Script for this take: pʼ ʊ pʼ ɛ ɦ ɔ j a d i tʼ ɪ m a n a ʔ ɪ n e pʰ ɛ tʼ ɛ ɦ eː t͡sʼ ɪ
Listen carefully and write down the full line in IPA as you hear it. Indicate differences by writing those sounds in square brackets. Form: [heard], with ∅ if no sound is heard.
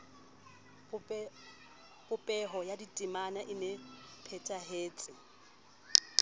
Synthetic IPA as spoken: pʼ ʊ pʼ ɛ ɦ ɔ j a d i tʼ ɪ m a n a ʔ ɪ n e pʰ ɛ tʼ [a] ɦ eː t͡sʼ ɪ